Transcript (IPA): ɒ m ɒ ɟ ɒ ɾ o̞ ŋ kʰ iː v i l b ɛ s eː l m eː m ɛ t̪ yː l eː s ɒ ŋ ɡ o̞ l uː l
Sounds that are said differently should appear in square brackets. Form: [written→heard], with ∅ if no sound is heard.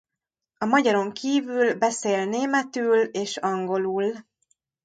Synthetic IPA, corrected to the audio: ɒ m ɒ ɟ ɒ ɾ o̞ ŋ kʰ iː v [i→y] l b ɛ s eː l [m→n] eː m ɛ t̪ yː l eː [s→ʃ] ɒ ŋ ɡ o̞ l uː l